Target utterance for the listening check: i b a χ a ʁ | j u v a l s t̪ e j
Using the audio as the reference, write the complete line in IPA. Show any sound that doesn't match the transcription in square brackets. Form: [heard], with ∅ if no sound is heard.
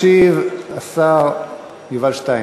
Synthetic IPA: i [v] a [s] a ʁ | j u v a l [ʃ] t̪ [a] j